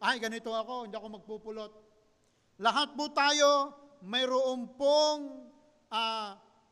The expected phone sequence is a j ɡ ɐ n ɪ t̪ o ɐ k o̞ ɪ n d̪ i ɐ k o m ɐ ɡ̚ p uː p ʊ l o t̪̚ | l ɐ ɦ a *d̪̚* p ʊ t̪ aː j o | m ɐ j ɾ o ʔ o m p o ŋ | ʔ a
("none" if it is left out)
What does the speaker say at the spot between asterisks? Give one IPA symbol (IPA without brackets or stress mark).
t̪̚